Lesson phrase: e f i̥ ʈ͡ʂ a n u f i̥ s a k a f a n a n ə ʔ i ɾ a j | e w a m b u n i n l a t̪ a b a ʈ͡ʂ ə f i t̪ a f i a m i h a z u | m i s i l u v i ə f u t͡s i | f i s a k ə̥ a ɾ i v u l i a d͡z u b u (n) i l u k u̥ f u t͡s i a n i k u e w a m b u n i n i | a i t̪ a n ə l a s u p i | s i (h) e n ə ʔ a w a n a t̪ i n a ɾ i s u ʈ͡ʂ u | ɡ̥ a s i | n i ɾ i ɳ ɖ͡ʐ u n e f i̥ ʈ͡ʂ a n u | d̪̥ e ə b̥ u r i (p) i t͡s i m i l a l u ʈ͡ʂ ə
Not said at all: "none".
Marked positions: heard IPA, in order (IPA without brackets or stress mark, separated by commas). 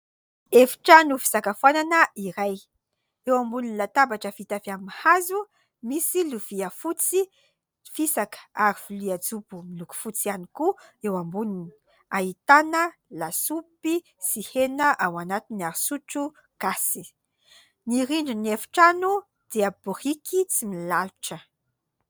m, h, k